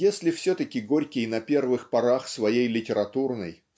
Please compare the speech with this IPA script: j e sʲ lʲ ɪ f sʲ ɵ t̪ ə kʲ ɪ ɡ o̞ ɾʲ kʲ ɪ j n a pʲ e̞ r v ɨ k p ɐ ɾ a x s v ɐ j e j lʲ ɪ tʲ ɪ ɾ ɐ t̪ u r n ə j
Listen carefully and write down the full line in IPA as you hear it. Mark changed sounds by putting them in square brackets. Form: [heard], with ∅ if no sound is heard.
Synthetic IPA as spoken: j e sʲ lʲ ɪ f sʲ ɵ t̪ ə kʲ ɪ ɡ o̞ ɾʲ kʲ ɪ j n [ɐ] pʲ e̞ r v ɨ [x] p ɐ ɾ a x s v ɐ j e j lʲ ɪ tʲ ɪ ɾ ɐ t̪ u r n ə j

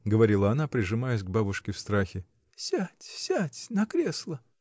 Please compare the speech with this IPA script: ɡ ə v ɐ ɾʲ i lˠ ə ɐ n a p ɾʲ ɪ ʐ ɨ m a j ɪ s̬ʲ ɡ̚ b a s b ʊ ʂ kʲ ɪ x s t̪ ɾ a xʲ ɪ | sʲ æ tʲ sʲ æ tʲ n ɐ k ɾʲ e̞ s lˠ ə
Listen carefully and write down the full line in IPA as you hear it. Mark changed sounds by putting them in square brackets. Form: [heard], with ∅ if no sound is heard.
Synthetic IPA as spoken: ɡ ə v ɐ ɾʲ i lˠ ə ɐ n a p ɾʲ ɪ ʐ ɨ m a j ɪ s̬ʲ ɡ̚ b a [∅] b ʊ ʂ kʲ ɪ [f] s t̪ ɾ a xʲ ɪ | sʲ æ tʲ sʲ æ tʲ n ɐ k ɾʲ e̞ s lˠ ə

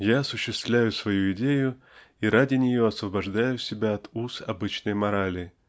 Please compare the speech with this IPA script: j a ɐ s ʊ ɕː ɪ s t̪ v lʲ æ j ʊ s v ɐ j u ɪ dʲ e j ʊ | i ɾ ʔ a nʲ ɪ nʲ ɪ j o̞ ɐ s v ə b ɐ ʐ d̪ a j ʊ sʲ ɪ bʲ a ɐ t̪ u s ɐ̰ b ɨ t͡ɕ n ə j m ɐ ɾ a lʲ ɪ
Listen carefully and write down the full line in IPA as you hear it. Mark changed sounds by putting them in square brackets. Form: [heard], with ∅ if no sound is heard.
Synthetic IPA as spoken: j a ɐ s ʊ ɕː ɪ s t̪ v lʲ æ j ʊ s v ɐ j u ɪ dʲ e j ʊ | i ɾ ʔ a [dʲ] ɪ nʲ ɪ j o̞ ɐ s v ə b ɐ ʐ d̪ a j ʊ sʲ ɪ bʲ a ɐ t̪ u s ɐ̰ b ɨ t͡ɕ n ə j m ɐ ɾ a lʲ ɪ

